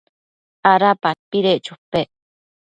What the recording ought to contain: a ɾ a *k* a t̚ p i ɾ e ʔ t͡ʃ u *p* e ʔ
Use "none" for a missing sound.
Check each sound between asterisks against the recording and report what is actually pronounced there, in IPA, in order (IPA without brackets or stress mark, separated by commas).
p, p